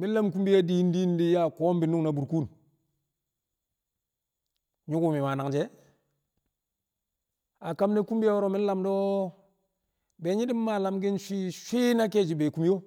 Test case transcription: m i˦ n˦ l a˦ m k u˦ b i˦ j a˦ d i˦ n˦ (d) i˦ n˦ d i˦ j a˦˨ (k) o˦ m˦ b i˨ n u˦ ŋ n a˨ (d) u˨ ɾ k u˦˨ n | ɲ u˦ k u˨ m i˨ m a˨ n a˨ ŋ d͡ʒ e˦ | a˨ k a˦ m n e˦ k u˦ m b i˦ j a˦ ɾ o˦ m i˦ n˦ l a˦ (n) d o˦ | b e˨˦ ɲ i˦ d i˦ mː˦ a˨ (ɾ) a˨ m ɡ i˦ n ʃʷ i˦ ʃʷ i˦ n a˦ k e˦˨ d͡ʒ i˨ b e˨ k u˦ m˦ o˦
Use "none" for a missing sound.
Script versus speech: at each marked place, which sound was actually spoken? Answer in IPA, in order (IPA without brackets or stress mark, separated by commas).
d, k, b, m, l